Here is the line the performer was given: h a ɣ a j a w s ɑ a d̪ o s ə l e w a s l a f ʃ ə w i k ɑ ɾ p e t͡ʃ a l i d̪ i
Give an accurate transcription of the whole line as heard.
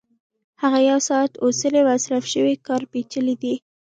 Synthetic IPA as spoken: h a ɣ a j a w s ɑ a t̪ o s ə l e w a s ɾ a f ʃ ə w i k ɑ ɾ p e t͡ʃ ə l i d̪ i